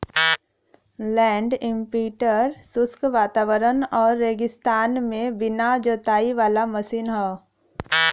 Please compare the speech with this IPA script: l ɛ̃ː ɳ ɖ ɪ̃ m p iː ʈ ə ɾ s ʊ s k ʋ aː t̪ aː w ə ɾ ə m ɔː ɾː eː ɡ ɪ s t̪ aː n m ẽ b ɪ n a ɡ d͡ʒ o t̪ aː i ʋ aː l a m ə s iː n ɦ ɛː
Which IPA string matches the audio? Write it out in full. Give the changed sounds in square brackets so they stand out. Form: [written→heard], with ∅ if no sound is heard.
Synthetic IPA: l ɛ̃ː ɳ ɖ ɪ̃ m p iː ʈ ə ɾ s ʊ s k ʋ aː t̪ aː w ə ɾ ə [m→n] ɔː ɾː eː ɡ ɪ s t̪ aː n m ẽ b ɪ n a [ɡ→∅] d͡ʒ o t̪ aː i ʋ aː l a m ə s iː n ɦ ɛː